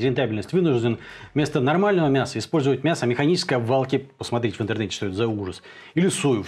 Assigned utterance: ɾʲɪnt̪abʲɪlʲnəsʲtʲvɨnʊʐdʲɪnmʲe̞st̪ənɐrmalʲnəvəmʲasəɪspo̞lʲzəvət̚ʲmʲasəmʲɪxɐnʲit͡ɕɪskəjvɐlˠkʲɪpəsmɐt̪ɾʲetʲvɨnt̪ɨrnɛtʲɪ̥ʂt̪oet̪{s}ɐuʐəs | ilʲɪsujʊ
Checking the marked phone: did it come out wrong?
yes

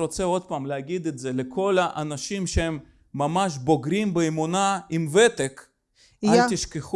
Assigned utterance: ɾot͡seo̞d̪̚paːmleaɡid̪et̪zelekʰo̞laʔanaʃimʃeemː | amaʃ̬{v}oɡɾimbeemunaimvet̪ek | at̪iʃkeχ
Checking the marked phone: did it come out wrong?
yes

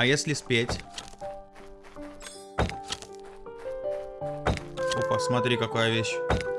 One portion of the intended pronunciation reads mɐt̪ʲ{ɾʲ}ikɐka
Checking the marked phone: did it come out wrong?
no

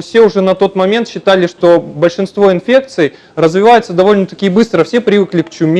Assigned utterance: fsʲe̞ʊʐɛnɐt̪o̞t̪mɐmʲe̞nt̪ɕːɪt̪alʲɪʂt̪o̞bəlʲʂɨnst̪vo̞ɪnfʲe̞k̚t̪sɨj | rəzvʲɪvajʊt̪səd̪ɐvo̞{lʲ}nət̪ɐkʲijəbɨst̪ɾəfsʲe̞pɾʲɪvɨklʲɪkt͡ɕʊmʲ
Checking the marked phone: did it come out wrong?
no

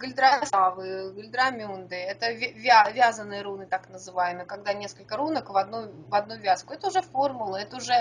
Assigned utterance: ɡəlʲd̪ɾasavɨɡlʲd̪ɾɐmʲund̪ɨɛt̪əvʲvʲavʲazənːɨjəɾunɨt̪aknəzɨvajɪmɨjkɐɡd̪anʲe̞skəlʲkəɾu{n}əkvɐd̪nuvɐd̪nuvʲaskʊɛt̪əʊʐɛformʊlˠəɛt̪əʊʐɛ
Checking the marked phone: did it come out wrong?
no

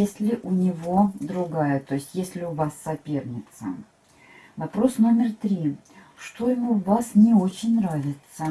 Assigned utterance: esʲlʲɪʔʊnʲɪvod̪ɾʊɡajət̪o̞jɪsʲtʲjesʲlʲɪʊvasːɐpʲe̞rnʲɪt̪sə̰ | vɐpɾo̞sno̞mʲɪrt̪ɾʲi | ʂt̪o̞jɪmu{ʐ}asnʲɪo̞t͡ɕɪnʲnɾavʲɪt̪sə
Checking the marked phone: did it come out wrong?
yes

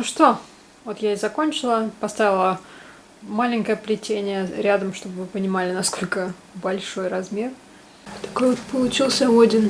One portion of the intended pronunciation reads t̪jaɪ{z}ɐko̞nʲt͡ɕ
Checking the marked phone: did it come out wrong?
no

